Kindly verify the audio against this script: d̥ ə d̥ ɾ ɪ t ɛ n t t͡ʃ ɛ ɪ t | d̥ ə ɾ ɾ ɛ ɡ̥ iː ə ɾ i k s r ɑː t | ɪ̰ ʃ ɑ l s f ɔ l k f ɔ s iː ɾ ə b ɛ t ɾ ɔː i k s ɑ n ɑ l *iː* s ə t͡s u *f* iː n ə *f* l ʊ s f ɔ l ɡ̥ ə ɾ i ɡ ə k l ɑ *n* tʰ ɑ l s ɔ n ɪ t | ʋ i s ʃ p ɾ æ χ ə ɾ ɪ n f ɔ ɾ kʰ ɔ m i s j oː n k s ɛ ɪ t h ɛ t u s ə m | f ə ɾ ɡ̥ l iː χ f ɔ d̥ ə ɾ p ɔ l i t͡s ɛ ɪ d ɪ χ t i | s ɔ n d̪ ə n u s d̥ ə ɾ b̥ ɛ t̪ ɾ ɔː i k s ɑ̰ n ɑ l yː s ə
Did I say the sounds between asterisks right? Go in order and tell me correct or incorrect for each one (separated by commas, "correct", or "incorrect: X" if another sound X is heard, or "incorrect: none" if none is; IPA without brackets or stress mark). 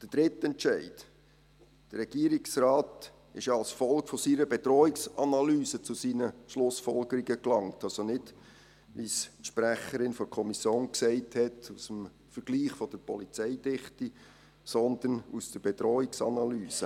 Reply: incorrect: yː, incorrect: s, incorrect: ʃ, incorrect: ŋ